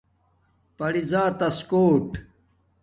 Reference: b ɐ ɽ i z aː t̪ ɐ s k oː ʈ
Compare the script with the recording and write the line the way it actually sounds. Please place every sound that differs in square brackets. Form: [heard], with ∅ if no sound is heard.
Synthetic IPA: [p] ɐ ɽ i z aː t̪ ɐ s k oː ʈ